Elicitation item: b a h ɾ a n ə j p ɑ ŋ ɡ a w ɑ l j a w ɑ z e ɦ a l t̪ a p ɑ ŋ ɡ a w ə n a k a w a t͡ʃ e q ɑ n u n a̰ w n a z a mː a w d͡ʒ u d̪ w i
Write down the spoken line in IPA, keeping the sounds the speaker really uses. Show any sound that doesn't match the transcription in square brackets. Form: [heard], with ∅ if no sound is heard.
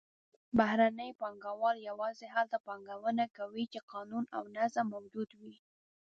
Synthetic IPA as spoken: b a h ɾ a n ə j p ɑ ŋ ɡ a w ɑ l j a w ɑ z e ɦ a l t̪ a p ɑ ŋ ɡ a w ə n a k a w [i] t͡ʃ e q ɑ n u n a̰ w n a z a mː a w d͡ʒ u d̪ w i